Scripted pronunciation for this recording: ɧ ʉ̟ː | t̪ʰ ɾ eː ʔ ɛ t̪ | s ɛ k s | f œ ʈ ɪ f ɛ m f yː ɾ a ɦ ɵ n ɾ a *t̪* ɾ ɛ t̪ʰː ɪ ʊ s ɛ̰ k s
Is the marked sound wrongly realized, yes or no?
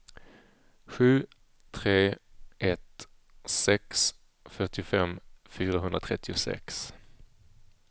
yes